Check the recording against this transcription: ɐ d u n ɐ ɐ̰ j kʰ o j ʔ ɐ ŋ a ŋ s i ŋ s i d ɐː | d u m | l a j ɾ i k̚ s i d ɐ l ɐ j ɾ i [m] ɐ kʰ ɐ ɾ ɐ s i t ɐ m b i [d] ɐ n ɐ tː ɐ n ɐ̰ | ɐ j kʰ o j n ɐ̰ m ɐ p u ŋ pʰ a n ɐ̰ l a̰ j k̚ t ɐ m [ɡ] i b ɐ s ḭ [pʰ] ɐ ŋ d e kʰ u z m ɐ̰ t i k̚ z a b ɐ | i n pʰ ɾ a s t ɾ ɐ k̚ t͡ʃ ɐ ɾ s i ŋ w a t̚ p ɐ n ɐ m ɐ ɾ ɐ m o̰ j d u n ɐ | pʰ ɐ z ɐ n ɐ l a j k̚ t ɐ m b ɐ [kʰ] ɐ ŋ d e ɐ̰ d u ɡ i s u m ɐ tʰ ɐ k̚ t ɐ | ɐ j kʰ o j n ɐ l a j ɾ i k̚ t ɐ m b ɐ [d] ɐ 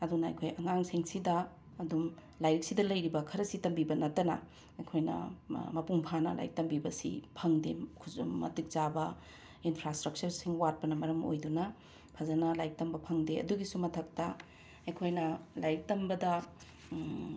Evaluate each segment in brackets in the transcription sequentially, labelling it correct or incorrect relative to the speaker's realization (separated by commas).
incorrect, incorrect, incorrect, correct, incorrect, correct